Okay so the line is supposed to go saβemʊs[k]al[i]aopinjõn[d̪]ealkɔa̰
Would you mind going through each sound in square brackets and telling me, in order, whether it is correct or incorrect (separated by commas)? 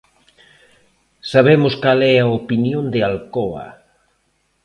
correct, incorrect, correct